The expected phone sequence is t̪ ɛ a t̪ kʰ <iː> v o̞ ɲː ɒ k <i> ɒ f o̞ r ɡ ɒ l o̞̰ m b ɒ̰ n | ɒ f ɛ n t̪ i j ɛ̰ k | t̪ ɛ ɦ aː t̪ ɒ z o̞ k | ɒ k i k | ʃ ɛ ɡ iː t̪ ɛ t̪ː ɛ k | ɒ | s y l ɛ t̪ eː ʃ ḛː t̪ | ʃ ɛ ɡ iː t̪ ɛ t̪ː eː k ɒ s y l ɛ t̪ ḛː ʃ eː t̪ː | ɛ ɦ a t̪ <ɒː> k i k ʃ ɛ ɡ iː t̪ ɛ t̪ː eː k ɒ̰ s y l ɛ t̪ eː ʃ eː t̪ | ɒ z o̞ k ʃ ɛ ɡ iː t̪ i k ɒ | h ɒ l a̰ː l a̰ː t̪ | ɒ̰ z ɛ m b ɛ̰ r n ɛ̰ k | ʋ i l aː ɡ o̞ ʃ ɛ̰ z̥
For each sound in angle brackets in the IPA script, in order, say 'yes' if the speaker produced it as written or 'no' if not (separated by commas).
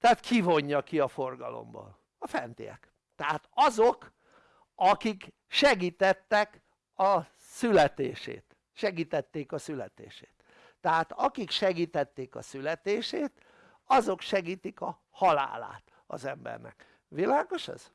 no, yes, no